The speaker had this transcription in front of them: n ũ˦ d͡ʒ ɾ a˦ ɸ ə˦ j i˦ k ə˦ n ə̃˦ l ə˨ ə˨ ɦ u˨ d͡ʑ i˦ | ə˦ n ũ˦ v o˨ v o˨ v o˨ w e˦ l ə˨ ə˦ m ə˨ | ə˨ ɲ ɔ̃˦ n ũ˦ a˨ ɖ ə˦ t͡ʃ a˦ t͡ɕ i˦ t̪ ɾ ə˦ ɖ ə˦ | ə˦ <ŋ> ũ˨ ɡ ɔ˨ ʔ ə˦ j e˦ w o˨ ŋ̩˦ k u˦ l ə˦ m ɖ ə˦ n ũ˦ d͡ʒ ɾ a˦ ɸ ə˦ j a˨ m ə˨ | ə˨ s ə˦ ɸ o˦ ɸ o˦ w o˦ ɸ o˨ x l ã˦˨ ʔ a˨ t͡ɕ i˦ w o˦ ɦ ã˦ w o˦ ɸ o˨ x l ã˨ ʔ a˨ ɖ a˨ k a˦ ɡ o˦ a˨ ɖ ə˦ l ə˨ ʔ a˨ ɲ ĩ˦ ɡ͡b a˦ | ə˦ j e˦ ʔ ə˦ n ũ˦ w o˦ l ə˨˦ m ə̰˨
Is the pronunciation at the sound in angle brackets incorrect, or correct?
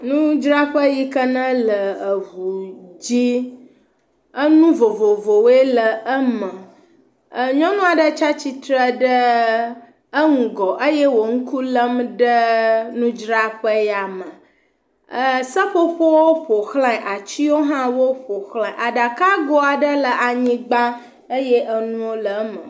correct